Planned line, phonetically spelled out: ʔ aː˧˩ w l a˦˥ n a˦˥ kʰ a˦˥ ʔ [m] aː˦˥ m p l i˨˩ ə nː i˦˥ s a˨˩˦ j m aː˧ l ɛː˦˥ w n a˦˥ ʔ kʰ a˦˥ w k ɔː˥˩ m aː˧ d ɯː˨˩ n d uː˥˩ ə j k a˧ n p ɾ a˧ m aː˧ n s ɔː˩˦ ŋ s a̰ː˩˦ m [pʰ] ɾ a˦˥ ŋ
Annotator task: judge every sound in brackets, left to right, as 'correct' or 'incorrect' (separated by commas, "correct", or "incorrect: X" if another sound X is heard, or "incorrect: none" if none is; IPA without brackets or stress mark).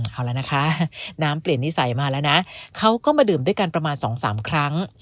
incorrect: n, incorrect: kʰ